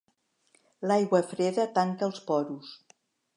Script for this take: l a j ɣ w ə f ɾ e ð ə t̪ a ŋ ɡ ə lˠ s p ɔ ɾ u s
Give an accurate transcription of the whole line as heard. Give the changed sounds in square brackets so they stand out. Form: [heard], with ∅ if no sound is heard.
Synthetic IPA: l a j ɣ w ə f ɾ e ð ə t̪ a ŋ [k] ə lˠ s p ɔ ɾ u s